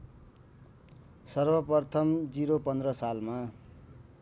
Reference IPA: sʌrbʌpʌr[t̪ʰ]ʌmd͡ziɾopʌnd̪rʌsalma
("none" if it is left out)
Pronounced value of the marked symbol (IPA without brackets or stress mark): t̪ʰ